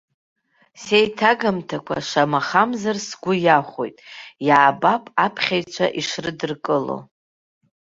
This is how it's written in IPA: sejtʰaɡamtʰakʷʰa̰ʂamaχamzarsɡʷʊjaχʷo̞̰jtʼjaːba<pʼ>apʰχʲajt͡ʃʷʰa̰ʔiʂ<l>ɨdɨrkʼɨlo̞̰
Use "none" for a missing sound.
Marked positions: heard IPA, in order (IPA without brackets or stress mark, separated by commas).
pʼ, r